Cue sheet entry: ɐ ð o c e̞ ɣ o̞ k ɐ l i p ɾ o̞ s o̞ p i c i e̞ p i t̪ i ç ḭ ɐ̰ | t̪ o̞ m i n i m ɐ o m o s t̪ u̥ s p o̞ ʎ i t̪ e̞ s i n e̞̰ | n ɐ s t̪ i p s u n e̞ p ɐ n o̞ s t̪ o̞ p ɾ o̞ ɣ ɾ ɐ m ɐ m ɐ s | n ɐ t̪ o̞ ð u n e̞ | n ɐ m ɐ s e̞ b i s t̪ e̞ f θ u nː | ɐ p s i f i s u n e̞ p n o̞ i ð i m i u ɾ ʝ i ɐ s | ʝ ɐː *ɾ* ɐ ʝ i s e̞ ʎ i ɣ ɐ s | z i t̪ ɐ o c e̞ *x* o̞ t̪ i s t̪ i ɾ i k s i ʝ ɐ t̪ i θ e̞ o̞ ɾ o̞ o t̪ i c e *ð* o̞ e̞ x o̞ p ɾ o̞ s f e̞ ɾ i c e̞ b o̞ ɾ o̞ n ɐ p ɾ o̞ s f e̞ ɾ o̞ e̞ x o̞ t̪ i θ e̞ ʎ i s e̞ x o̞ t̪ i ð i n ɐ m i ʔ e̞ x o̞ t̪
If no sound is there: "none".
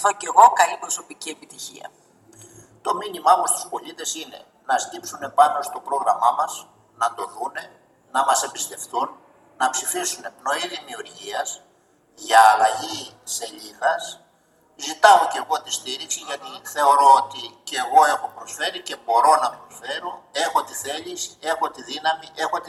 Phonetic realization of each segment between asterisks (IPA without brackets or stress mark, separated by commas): l, ɣ, ɣ